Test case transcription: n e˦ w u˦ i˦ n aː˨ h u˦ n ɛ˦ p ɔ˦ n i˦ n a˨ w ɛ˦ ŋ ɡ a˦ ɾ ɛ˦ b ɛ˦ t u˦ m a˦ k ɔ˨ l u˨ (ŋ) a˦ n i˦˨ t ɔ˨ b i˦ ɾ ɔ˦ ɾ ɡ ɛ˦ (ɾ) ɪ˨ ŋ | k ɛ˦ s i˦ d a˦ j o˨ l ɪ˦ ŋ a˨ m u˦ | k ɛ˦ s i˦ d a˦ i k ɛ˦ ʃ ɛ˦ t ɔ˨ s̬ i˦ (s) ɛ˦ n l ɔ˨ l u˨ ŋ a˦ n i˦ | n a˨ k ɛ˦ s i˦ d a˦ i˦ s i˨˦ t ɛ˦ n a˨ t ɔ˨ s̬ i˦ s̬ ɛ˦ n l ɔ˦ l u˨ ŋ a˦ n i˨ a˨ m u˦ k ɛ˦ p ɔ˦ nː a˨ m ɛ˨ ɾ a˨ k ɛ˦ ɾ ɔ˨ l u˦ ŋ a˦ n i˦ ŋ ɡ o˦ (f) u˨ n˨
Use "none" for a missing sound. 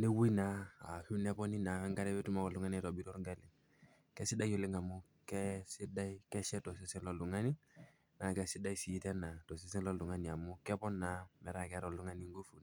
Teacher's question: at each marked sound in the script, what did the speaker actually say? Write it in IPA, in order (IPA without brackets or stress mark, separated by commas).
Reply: ŋ, l, s, f